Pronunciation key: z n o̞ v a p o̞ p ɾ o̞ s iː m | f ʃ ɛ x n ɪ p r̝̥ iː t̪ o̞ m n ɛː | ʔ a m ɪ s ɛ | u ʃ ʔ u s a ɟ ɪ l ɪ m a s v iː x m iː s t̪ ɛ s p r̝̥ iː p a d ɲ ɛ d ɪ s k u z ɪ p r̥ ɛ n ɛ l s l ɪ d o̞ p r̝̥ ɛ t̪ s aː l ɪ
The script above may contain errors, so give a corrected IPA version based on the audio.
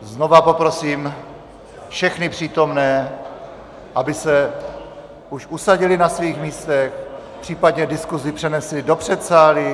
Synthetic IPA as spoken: z n o̞ v a p o̞ p ɾ o̞ s iː m | f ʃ ɛ x n ɪ p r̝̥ iː t̪ o̞ m n ɛː | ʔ a b ɪ s ɛ | u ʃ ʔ u s a ɟ ɪ l ɪ n a s v iː x m iː s t̪ ɛ x p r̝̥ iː p a d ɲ ɛ d ɪ s k u z ɪ p r̥ ɛ n ɛ s l ɪ d o̞ p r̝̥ ɛ t̪ s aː l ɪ